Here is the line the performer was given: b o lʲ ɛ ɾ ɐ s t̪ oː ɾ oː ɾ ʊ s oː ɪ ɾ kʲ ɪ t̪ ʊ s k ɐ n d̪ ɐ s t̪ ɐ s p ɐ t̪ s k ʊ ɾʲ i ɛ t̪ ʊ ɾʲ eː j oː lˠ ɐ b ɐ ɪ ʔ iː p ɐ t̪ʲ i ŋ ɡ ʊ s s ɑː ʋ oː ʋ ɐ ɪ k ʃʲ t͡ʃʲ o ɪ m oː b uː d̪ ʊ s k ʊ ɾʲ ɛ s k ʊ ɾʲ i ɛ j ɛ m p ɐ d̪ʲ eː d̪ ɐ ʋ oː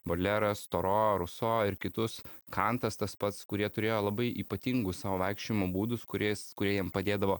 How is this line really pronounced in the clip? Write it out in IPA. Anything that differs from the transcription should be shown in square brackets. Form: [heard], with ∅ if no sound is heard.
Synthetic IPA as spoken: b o lʲ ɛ ɾ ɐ s t̪ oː ɾ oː ɾ ʊ s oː ɪ ɾ kʲ ɪ t̪ ʊ s k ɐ n [t̪] ɐ s t̪ ɐ s p ɐ t̪ s k ʊ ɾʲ i ɛ t̪ ʊ ɾʲ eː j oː lˠ ɐ b ɐ ɪ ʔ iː p ɐ t̪ʲ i ŋ ɡ ʊ s s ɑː ʋ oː ʋ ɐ ɪ k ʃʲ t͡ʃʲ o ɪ m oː b uː d̪ ʊ s k ʊ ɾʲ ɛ s k ʊ ɾʲ i ɛ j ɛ m p ɐ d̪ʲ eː d̪ ɐ ʋ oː